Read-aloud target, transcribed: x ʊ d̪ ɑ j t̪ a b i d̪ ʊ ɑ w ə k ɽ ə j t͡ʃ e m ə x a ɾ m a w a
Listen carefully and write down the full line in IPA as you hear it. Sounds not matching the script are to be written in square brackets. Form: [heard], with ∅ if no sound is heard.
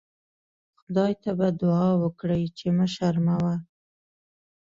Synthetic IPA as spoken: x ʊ d̪ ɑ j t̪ a b [a] d̪ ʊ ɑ w ə k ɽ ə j t͡ʃ e m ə [ʃ] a ɾ m a w a